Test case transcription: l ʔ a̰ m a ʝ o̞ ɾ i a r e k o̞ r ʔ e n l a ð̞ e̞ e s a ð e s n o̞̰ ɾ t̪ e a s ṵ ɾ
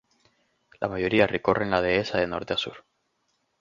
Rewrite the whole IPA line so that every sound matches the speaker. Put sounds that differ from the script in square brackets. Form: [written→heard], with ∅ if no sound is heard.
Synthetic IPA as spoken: l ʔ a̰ m a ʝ o̞ ɾ i a r e k o̞ r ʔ e n l a ð̞ e̞ e s a ð e [s→∅] n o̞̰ ɾ t̪ e a s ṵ ɾ